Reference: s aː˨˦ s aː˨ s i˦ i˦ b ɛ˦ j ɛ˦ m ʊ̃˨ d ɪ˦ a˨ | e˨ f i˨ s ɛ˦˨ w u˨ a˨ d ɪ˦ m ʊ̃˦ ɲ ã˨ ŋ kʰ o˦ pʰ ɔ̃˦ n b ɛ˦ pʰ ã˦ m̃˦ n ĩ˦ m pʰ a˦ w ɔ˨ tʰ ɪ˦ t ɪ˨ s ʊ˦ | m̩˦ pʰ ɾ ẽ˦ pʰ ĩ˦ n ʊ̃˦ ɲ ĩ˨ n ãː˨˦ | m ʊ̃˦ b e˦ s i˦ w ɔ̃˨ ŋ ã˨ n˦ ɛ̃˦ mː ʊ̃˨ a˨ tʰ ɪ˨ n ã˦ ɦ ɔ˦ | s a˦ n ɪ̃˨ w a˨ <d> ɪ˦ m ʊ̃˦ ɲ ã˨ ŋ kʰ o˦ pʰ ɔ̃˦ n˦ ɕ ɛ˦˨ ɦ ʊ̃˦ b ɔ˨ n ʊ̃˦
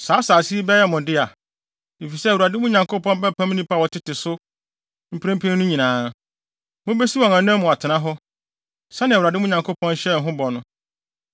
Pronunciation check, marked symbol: correct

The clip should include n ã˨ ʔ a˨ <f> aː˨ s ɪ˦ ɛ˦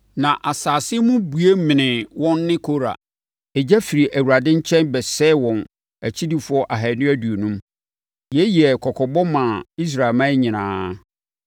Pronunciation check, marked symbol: incorrect: s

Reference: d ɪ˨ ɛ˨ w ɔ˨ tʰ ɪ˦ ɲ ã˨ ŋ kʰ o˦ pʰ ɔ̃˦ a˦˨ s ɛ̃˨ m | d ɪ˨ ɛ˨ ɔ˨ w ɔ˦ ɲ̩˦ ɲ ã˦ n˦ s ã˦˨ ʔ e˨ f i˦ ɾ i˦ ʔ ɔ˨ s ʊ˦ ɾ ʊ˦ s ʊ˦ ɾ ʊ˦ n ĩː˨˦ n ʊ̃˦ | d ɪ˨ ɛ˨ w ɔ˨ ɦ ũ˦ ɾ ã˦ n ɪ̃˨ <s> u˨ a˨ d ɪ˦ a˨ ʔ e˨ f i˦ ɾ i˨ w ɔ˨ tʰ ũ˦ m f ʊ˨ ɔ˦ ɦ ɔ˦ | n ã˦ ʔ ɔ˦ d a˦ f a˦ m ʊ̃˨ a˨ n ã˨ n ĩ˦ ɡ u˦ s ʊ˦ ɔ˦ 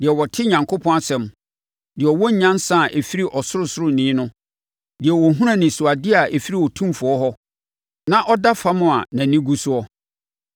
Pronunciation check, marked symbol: correct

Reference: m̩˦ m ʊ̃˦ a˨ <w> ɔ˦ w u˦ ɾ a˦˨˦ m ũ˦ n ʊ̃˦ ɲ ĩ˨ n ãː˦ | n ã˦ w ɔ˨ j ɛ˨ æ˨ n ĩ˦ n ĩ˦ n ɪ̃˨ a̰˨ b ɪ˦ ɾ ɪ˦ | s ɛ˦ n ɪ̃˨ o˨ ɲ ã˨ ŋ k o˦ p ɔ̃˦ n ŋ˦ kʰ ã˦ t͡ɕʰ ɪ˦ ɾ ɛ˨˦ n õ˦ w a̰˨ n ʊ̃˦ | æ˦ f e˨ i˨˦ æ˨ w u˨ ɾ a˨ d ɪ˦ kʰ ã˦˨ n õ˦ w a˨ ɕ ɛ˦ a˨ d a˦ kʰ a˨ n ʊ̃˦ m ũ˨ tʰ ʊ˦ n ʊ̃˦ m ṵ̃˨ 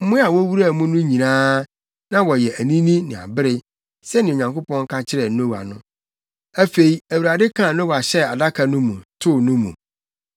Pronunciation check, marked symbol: correct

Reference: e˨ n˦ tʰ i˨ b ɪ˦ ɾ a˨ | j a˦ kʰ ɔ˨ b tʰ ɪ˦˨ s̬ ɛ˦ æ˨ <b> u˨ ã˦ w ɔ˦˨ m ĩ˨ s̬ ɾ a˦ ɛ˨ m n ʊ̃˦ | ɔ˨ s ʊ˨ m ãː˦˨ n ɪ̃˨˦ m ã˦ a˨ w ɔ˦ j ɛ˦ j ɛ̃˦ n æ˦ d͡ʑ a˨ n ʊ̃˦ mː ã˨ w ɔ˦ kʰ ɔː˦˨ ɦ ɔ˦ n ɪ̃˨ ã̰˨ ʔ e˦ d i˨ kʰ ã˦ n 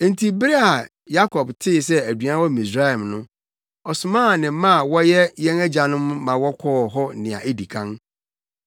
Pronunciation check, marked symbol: incorrect: d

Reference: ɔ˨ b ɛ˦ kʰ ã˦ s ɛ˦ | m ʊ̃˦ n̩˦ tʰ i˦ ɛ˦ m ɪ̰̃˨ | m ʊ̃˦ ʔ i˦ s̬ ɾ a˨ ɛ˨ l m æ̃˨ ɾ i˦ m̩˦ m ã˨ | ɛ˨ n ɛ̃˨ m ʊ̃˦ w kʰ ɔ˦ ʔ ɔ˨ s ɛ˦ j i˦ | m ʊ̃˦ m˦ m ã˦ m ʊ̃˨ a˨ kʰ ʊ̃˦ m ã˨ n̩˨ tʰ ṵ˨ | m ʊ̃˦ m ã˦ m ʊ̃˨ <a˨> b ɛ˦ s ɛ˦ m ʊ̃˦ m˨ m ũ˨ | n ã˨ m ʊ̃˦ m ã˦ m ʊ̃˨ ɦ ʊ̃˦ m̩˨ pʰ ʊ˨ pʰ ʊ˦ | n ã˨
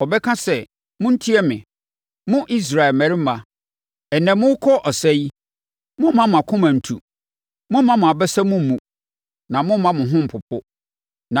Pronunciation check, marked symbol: correct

